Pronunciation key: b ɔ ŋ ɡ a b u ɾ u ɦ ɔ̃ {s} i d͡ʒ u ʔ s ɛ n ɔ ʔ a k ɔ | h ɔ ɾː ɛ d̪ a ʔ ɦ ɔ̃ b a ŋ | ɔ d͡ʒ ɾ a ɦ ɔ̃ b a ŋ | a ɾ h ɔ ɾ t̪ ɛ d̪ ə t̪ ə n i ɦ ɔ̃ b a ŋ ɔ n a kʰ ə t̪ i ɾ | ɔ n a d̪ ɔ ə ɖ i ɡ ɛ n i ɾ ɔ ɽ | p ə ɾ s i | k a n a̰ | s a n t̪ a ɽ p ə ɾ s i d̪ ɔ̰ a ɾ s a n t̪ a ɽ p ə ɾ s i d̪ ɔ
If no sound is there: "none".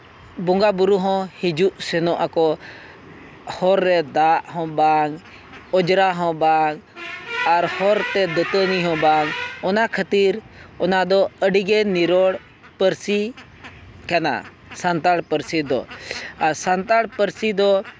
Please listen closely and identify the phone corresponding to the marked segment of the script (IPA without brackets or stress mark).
h